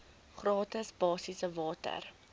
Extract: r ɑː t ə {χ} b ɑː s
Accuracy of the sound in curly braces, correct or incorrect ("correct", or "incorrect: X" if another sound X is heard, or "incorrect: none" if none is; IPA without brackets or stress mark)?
incorrect: s